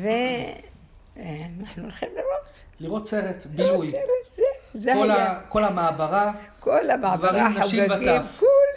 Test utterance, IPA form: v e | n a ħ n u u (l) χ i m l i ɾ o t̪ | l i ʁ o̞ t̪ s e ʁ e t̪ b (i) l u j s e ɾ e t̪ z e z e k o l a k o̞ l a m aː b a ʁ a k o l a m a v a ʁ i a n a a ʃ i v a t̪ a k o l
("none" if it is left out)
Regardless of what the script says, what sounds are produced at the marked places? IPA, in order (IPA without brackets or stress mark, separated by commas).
l, i